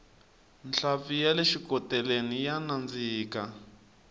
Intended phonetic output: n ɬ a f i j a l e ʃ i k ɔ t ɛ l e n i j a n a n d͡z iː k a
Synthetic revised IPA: n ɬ a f i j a l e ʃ i k ɔ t ɛ l e n i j a n a n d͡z iː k a

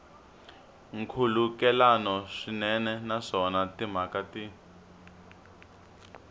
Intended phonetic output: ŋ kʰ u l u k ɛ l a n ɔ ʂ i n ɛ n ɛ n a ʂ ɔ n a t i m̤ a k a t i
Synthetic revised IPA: ŋ kʰ u l u k ɛ l a n ɔ ʂ i n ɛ n ɛ n a ʂ ɔ n a t i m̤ a k a t i

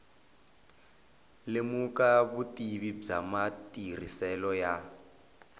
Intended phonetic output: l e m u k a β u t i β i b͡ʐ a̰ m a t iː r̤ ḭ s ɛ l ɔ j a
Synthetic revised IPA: l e m u k a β u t i β i b͡ʐ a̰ m a t i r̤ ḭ s ɛ l ɔ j a

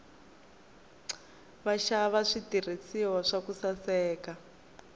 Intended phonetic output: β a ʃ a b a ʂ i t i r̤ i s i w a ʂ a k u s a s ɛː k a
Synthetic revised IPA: β a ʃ a β a ʂ i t i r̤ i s i w a ʂ a k u s a s ɛː k a

